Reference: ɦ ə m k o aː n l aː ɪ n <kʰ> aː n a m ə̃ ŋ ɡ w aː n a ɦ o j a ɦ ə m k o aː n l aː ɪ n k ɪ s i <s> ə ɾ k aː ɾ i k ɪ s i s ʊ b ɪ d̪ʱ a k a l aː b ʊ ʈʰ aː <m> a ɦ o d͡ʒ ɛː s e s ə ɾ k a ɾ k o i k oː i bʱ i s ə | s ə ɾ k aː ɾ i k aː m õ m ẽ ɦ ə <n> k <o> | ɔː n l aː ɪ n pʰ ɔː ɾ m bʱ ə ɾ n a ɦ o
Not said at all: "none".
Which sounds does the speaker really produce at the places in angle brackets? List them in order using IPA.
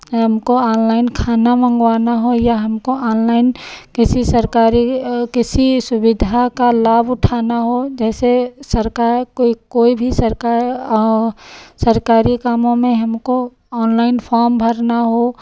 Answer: kʰ, s, n, m, o

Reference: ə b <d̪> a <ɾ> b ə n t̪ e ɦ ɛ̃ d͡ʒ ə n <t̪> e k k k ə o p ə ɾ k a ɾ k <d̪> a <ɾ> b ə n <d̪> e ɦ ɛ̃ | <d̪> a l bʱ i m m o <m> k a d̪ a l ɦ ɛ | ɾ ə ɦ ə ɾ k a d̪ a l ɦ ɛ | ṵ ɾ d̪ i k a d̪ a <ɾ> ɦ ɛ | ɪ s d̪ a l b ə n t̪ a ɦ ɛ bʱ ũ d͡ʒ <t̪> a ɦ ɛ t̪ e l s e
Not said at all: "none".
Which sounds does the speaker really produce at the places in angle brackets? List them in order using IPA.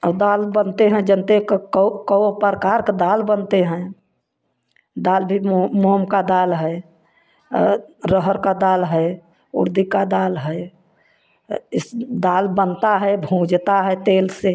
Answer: d̪, l, t̪, d̪, l, t̪, d̪, m, l, t̪

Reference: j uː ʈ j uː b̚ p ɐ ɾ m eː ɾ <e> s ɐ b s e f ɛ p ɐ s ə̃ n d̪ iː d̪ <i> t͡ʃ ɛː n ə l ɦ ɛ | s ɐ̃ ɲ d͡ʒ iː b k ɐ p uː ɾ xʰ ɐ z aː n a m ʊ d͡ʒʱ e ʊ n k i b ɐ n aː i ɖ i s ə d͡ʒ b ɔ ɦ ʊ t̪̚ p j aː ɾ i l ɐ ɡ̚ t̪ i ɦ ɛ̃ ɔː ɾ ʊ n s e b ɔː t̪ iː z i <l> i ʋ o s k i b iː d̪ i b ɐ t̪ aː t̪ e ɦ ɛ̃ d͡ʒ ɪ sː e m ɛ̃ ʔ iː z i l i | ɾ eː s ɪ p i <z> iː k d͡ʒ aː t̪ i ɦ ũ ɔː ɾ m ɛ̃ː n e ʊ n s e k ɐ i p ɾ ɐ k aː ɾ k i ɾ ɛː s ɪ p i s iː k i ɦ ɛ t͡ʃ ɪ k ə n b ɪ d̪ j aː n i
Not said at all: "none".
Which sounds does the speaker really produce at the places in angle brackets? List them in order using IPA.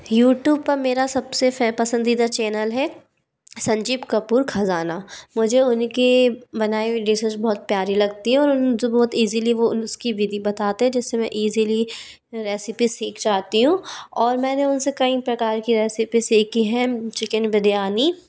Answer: a, a, l, s

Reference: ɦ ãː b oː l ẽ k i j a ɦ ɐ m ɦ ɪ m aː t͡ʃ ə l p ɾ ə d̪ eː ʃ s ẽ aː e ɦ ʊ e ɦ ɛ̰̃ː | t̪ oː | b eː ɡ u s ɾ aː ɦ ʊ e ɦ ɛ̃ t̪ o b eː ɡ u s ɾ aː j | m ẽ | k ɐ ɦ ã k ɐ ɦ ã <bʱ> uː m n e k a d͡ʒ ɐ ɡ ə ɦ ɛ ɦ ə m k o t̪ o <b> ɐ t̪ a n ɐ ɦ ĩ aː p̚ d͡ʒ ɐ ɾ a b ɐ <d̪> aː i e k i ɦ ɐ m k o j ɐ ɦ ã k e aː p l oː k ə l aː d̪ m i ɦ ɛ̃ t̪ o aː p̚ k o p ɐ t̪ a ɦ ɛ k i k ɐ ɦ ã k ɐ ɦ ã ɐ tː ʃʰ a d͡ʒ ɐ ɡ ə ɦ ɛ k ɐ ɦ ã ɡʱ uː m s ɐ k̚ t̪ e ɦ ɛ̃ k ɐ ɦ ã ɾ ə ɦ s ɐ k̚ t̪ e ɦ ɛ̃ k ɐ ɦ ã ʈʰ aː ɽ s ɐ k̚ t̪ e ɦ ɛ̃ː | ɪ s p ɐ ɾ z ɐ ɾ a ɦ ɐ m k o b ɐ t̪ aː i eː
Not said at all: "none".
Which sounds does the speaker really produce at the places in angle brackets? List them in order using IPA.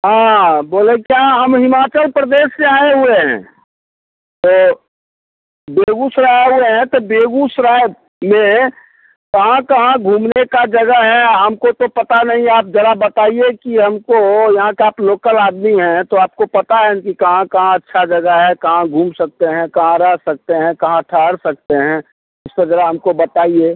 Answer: ɡʱ, p, t̪

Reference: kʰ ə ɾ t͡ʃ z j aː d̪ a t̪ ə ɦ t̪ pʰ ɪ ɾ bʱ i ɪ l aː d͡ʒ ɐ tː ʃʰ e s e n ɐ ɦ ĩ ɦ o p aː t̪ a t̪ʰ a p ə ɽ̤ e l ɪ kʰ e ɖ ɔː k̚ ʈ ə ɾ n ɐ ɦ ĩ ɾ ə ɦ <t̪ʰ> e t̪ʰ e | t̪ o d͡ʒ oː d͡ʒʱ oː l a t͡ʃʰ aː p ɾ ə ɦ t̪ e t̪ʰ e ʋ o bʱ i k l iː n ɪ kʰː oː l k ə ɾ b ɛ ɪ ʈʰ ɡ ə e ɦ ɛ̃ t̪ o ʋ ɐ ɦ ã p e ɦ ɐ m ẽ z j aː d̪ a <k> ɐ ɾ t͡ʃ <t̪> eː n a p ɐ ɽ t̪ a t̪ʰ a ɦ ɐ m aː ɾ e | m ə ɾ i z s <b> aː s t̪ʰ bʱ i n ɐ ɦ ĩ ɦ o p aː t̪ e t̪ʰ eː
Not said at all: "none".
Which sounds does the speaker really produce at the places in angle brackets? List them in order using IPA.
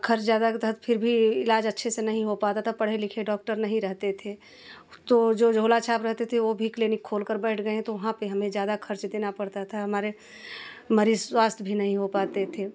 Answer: t̪, kʰ, d̪, w

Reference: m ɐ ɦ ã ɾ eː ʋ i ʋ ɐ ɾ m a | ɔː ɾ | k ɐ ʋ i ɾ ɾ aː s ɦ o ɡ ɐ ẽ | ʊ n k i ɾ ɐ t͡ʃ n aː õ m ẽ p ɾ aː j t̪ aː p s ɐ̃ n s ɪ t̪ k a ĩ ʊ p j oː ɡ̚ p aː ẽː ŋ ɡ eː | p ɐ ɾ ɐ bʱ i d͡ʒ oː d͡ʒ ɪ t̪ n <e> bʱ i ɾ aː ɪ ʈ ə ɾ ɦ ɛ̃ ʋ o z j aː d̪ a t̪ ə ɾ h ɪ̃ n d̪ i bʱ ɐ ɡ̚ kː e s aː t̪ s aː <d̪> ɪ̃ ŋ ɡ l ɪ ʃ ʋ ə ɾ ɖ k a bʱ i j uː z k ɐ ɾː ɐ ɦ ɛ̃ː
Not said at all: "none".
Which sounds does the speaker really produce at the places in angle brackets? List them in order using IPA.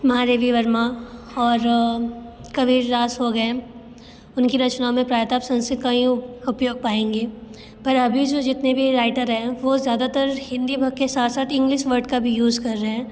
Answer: e, t̪

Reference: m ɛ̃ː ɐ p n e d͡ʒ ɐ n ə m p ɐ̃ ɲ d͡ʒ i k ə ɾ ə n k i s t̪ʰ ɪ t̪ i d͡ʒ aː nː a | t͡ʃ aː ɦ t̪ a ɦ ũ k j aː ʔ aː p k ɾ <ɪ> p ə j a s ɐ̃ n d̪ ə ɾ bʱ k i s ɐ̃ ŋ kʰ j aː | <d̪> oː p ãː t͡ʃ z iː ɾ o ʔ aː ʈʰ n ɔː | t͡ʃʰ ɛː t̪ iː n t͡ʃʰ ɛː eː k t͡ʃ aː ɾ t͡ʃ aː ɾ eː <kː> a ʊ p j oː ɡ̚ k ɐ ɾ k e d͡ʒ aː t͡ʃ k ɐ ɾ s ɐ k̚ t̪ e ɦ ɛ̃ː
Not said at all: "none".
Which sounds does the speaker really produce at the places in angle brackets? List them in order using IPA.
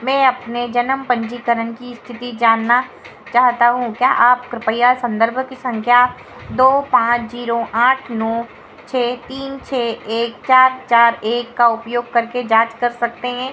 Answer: ɪ, d̪, kː

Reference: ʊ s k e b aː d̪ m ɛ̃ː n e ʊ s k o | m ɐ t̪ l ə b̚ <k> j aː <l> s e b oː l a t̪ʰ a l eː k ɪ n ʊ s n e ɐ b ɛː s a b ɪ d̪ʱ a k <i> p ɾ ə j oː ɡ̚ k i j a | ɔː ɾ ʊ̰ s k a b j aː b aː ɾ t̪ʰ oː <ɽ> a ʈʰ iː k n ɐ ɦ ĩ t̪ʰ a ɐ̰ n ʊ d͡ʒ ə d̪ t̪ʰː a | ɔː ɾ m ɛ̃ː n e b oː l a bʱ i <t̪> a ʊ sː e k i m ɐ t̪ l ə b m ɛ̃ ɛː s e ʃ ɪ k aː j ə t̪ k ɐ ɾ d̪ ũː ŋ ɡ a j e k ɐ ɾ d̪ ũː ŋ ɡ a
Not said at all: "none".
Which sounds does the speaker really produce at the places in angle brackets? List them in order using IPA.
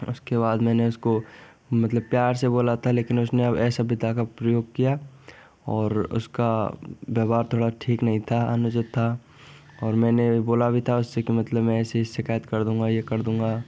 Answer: p, ɾ, a, ɽ, t̪ʰ

